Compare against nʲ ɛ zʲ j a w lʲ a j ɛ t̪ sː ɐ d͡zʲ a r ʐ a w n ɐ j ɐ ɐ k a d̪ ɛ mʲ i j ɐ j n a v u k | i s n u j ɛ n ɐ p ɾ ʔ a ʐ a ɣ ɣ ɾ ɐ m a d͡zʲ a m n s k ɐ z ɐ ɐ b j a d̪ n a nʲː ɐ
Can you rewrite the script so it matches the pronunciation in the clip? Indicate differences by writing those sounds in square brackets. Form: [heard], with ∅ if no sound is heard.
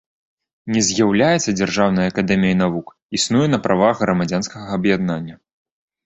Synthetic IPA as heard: nʲ ɛ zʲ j a w lʲ a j ɛ t̪ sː ɐ d͡zʲ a r ʐ a w n ɐ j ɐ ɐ k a d̪ ɛ mʲ i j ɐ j n a v u k | i s n u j ɛ n ɐ p ɾ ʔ a [v] a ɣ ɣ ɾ ɐ m a d͡zʲ a [∅] n s k ɐ [ɣ] ɐ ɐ b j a d̪ n a nʲː ɐ